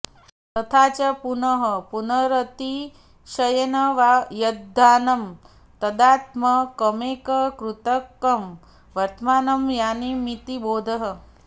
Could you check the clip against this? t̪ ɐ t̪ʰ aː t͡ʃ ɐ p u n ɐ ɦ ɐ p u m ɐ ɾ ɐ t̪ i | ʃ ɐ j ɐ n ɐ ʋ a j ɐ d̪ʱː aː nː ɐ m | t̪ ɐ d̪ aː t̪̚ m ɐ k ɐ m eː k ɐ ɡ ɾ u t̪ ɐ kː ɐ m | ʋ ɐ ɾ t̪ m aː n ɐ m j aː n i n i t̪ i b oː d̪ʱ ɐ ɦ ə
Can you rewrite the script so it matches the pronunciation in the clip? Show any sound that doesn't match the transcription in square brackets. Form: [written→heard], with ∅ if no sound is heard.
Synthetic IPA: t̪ ɐ t̪ʰ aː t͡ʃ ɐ p u n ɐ ɦ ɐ p u [m→n] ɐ ɾ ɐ t̪ i | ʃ ɐ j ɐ n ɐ ʋ a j ɐ d̪ʱː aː [nː→n] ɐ m | t̪ ɐ d̪ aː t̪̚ m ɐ k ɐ m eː k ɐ [ɡ→k] ɾ u t̪ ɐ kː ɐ m | ʋ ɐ ɾ t̪ m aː n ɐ m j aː n i [n→m] i t̪ i b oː d̪ʱ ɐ ɦ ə